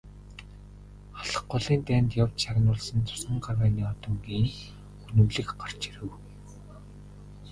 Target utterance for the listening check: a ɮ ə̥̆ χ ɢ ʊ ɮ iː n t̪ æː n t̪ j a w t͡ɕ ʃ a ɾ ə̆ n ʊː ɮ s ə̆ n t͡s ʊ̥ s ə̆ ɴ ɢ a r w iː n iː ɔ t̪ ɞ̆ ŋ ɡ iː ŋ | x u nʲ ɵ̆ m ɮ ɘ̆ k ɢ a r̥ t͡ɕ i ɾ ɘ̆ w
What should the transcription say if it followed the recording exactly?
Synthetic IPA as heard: a ɮ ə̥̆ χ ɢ ʊ ɮ iː n t̪ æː n t̪ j a w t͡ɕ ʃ a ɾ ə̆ n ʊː ɮ s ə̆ n t͡s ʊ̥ s ə̆ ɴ ɢ a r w æː n iː ɔ t̪ ɞ̆ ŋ ɡ iː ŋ | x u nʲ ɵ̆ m ɮ ɘ̆ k ɢ a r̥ t͡ɕ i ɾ ɘ̆ w